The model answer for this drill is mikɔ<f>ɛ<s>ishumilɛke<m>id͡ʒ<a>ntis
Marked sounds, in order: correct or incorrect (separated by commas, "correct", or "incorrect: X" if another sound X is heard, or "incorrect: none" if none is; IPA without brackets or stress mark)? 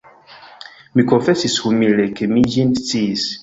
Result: correct, correct, correct, incorrect: i